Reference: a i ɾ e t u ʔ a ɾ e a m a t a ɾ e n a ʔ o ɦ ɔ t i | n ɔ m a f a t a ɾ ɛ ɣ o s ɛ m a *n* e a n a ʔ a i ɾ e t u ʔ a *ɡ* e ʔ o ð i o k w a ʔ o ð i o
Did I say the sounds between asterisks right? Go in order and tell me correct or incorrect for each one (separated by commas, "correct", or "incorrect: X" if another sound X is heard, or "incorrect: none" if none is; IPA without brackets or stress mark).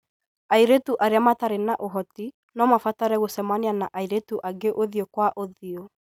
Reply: correct, correct